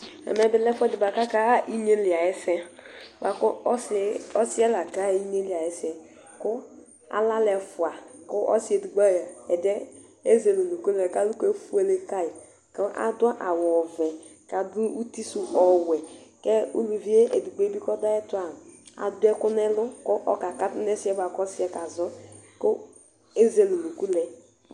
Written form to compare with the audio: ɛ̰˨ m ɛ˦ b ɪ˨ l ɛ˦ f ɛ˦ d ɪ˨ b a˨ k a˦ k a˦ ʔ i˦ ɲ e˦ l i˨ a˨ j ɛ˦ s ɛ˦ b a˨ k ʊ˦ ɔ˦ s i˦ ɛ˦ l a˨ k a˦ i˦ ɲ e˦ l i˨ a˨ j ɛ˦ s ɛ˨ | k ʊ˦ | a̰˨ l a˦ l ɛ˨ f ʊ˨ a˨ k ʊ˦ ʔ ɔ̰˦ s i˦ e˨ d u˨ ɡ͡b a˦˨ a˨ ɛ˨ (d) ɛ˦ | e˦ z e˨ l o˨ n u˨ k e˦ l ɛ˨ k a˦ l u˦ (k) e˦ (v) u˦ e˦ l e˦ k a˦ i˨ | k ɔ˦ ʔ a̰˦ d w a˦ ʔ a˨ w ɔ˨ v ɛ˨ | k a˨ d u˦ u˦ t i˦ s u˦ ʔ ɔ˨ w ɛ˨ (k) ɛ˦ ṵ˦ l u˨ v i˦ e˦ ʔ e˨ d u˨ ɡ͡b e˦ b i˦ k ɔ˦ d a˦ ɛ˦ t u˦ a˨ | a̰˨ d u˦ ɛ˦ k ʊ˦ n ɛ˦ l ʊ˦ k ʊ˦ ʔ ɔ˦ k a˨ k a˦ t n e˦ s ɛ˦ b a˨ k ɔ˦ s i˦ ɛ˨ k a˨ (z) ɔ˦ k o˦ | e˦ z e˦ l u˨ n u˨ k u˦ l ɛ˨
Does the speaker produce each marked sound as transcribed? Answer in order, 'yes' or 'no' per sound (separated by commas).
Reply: yes, yes, no, yes, yes